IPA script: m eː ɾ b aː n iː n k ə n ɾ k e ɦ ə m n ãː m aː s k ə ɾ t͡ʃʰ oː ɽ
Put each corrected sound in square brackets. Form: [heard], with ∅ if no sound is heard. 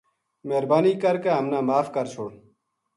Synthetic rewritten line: m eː ɾ b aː n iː [∅] k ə [∅] ɾ k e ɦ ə m n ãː m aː [f] k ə ɾ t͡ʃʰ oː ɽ

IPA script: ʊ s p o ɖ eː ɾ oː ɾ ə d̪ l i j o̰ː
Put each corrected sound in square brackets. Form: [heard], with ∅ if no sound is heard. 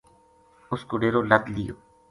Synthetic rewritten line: ʊ s [k] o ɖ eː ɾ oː [l] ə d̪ l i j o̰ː

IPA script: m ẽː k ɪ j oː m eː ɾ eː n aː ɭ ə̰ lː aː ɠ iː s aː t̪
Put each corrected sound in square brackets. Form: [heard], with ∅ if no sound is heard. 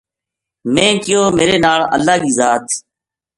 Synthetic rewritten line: m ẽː k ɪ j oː m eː ɾ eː n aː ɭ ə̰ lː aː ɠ iː [z] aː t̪

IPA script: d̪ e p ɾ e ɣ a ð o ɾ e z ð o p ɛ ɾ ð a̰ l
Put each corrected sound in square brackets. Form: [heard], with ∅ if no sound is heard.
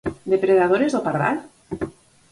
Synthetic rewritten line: d̪ e p ɾ e [ð] a ð o ɾ e z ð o p [a] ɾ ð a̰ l

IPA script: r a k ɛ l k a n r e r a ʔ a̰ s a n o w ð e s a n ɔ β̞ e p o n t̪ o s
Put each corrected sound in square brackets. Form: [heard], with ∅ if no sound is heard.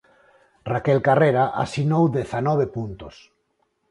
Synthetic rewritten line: r a k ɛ l k a [∅] r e [ɾ] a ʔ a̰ s [i] n o w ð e [θ] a n ɔ β̞ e p [u] n t̪ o s

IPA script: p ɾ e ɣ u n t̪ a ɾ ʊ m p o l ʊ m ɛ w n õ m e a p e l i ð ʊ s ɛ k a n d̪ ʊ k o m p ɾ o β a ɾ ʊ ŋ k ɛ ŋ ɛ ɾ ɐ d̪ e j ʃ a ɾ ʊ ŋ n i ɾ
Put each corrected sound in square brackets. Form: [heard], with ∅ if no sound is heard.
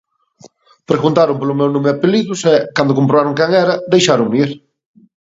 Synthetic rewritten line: p ɾ e ɣ u n t̪ a ɾ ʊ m p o l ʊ m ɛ w n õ m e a p e l i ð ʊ s ɛ k a n d̪ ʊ k o m p ɾ o β a ɾ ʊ ŋ k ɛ ŋ ɛ ɾ ɐ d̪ e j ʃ a ɾ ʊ ŋ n i ɾ

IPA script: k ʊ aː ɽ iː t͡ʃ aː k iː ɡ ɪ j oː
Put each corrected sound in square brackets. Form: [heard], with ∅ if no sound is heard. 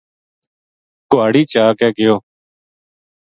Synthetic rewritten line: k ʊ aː ɽ iː t͡ʃ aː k [ɛː] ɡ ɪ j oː

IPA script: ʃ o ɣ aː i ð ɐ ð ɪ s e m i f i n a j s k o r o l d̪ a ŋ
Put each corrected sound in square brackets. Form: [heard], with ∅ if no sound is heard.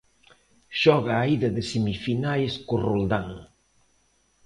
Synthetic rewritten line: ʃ [ɔ] ɣ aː i ð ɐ ð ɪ s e m i f i n a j s k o r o l d̪ a ŋ

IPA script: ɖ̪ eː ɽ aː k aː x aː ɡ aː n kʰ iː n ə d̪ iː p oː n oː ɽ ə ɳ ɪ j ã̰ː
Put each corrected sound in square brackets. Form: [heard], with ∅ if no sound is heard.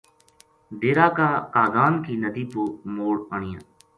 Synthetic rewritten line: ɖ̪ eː [ɾ] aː k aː [k] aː ɡ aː n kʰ iː n ə d̪ iː p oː [m] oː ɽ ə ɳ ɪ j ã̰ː

